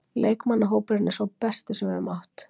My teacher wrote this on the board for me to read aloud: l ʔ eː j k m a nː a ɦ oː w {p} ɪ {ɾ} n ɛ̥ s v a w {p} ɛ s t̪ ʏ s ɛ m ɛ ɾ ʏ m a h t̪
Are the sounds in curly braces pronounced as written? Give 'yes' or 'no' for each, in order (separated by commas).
yes, yes, yes